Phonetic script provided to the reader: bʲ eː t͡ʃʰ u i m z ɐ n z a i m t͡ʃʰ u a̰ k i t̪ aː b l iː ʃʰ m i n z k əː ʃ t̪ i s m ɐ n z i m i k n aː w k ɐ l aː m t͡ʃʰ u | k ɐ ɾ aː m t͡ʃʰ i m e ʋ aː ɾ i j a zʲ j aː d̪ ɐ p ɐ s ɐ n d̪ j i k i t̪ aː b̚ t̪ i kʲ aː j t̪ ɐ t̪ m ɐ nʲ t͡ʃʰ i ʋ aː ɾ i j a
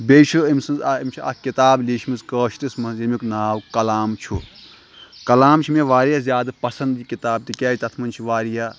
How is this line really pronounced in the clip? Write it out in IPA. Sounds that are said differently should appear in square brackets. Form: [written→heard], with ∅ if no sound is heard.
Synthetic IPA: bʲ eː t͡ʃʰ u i m [z→s] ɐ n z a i m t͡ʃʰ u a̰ k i t̪ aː b l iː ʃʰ m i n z k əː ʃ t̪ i s m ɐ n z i m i k n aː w k ɐ l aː m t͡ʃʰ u | k ɐ [ɾ→l] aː m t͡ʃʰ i m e ʋ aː ɾ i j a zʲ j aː d̪ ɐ p ɐ s ɐ n d̪ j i k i t̪ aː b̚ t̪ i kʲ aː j t̪ ɐ [t̪→t̪ʰ] m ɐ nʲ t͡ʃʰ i ʋ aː ɾ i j a